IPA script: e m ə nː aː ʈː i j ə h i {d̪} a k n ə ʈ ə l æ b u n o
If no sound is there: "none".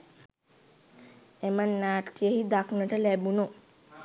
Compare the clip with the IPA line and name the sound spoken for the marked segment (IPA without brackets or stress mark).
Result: d̪